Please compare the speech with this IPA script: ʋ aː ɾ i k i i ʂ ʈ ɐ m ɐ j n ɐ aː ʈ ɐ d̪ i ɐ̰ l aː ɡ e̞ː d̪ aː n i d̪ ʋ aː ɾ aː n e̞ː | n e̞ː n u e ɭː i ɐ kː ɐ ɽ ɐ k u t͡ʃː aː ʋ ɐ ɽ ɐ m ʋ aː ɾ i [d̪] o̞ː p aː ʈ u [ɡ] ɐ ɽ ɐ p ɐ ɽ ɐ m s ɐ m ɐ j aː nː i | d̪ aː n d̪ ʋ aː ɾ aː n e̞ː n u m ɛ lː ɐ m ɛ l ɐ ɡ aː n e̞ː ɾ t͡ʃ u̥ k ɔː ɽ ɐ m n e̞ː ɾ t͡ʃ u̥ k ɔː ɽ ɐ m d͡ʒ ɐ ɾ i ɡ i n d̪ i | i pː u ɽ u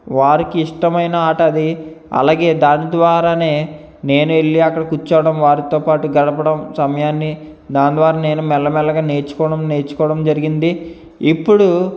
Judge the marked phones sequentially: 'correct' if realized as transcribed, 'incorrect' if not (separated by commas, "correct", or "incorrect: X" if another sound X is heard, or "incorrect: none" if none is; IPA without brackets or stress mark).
incorrect: t̪, correct